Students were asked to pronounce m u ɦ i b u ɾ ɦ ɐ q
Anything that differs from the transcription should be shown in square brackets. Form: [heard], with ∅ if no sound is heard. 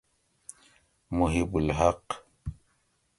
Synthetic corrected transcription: m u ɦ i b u [l] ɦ [a] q